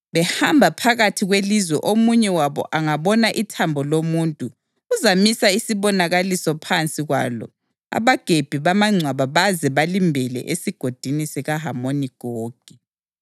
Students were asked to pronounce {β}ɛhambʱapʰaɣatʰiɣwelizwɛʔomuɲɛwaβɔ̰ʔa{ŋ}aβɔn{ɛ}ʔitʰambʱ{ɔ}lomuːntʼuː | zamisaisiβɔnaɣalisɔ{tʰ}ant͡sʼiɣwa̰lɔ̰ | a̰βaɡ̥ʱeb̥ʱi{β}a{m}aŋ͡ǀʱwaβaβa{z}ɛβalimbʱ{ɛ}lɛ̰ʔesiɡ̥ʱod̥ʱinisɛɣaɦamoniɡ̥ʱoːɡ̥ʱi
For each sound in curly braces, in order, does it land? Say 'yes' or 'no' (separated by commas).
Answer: yes, yes, no, yes, no, yes, yes, yes, yes